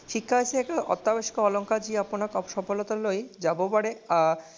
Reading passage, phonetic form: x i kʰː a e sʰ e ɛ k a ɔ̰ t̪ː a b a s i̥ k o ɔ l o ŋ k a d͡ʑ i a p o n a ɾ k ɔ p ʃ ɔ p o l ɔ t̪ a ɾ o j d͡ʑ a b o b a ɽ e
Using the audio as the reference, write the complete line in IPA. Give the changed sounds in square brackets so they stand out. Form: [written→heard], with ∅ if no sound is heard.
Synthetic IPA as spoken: [x→ʃ] i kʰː a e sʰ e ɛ k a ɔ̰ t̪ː a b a [s→ʃ] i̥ k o ɔ l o ŋ k a d͡ʑ i a p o n a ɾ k ɔ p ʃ ɔ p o l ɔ t̪ a [ɾ→l] o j d͡ʑ a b o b a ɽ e